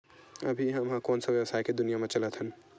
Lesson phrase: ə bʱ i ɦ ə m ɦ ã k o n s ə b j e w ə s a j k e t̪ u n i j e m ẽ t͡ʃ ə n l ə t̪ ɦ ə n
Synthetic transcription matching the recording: ə bʱ i ɦ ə m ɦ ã k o n s ə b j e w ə s a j k e d̪ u n i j a m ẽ t͡ʃ ə l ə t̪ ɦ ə n